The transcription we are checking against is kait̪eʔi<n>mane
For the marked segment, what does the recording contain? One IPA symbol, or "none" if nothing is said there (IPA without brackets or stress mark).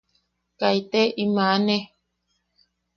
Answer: none